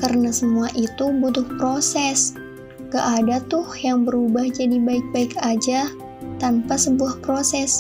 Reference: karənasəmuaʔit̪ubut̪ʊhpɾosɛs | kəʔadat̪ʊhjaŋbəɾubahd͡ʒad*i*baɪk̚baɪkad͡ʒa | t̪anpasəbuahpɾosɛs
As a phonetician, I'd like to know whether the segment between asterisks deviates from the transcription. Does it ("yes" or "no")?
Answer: no